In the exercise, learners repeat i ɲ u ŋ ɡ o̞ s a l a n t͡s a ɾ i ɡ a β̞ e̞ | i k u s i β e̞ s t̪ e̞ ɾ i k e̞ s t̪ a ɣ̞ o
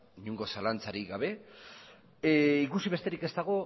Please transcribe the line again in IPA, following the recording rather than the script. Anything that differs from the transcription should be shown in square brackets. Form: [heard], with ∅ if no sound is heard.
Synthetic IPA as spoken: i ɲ u ŋ ɡ o̞ s a l a n t͡s a ɾ i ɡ a β̞ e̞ | i k u s i β e̞ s t̪ e̞ ɾ i k e̞ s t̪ a ɣ̞ o